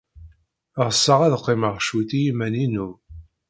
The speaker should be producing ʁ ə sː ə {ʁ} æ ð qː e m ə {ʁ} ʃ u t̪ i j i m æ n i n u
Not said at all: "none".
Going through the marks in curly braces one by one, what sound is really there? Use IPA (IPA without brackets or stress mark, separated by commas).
ʁ, ʁ